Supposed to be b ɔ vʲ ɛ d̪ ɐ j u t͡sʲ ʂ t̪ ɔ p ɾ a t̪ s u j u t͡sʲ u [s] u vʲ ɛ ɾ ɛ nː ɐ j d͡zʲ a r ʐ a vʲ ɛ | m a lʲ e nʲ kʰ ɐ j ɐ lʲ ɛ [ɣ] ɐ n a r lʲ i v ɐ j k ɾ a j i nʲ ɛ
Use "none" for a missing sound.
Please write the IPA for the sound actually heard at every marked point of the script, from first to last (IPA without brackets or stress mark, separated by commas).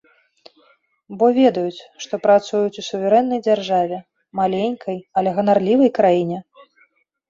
s, ɣ